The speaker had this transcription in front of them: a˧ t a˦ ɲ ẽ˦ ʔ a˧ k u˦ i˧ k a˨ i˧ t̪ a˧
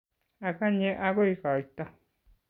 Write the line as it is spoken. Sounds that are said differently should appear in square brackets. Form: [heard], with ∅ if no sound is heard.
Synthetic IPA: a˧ [k] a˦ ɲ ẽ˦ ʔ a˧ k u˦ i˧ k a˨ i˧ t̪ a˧